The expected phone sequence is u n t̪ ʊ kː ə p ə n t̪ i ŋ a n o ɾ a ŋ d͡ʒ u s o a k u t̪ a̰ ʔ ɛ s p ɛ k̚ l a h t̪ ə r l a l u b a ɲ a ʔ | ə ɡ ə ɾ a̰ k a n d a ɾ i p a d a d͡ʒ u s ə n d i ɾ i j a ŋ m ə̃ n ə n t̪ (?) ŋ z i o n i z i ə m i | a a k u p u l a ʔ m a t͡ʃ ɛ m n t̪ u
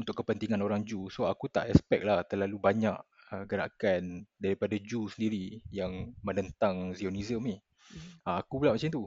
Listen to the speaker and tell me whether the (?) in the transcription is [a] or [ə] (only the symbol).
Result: a